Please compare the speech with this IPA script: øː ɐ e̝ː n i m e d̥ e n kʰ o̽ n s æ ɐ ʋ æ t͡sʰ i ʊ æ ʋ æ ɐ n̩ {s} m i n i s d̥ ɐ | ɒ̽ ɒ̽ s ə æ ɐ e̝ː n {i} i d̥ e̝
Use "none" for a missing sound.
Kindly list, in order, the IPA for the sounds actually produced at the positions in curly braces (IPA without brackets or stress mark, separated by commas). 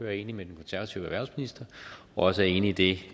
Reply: s, i